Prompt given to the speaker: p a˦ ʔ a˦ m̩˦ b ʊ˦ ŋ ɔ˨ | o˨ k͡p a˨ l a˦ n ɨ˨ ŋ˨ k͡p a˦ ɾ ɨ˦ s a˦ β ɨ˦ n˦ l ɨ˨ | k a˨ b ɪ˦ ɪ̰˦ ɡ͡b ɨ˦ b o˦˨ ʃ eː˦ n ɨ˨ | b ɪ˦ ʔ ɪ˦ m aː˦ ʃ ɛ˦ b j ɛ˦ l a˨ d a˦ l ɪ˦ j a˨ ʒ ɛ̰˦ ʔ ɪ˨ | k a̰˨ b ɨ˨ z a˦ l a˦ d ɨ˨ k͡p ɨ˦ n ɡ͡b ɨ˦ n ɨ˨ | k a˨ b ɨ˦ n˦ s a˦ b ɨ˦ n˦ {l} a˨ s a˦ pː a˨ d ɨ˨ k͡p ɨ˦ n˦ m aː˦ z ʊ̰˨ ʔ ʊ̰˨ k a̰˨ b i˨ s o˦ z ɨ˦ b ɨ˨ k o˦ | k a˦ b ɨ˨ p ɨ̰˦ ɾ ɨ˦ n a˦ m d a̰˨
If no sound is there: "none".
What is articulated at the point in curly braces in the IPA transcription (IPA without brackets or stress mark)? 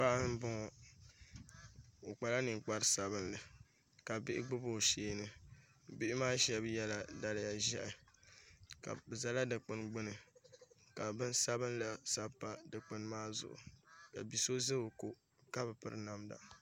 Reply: l